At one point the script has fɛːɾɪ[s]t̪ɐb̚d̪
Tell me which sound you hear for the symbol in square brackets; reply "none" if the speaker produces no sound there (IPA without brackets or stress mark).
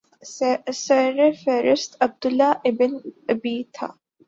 s